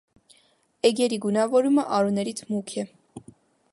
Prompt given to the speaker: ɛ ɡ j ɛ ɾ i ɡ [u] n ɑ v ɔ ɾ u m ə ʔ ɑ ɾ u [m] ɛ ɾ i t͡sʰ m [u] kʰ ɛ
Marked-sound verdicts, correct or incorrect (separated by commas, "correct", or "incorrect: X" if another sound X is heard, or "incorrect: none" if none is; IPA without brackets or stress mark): correct, incorrect: n, correct